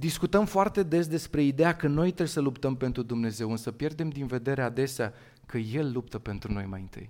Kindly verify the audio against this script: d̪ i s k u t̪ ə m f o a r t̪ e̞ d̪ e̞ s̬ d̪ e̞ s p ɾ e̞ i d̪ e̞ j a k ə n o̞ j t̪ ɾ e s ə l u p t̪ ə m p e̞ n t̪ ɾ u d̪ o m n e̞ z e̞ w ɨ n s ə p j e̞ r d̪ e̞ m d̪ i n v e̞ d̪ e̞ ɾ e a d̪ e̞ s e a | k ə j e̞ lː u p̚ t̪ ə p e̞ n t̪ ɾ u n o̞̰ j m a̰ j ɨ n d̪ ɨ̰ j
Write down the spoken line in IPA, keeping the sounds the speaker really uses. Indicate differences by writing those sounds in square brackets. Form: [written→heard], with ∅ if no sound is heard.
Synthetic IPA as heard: d̪ i s k u t̪ ə m f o a r t̪ e̞ d̪ e̞ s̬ d̪ e̞ s p ɾ e̞ i d̪ e̞ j a k ə n o̞ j t̪ ɾ e s ə l u p t̪ ə m p e̞ n t̪ ɾ u d̪ [o→u] m n e̞ z e̞ w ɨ n s ə p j e̞ r d̪ e̞ m d̪ i n v e̞ d̪ e̞ ɾ e a d̪ e̞ s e a | k ə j e̞ lː u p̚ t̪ ə p e̞ n t̪ ɾ u n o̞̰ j m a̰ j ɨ n [d̪→t̪] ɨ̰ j